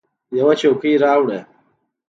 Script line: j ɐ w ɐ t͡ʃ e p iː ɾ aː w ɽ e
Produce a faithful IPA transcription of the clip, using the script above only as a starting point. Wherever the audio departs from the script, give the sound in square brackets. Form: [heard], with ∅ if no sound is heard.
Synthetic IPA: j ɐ w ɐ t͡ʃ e [k] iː ɾ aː w ɽ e